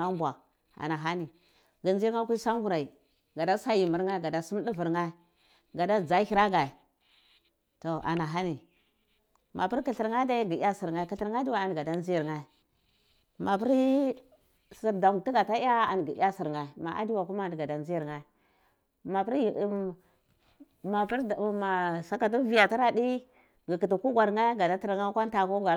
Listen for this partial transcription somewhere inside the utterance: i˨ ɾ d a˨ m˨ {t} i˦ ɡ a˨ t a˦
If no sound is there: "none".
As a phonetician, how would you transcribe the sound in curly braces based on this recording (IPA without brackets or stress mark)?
t